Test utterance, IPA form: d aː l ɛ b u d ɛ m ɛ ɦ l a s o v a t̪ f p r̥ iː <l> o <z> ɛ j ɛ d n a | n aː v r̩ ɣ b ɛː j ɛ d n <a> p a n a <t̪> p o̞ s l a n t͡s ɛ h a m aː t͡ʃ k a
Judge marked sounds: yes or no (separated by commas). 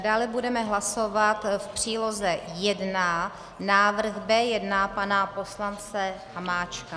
yes, yes, yes, no